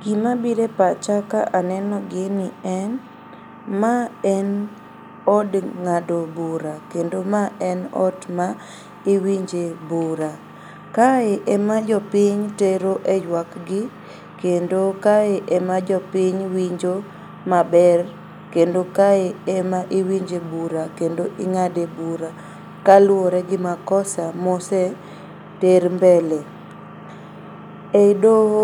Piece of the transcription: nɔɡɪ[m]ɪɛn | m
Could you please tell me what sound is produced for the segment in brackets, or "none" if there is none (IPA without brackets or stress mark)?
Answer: n